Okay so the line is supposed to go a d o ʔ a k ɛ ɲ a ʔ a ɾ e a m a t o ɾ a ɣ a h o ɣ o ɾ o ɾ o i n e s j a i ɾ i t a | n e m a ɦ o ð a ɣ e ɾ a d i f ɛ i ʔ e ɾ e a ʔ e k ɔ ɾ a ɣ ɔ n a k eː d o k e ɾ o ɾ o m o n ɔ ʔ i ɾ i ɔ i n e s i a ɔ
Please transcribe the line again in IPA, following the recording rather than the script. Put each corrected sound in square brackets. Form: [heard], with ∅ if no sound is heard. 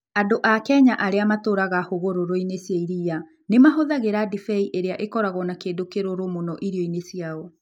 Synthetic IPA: a d o ʔ a k ɛ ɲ a ʔ a ɾ e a m a t o ɾ a ɣ a h o ɣ o ɾ o ɾ o i n e s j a i ɾ i [∅] a | n e m a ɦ o ð a ɣ e ɾ a d i f ɛ i ʔ e ɾ e a ʔ e k ɔ ɾ a ɣ ɔ n a k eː d o k e ɾ o ɾ o m o n ɔ ʔ i ɾ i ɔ i n e s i a ɔ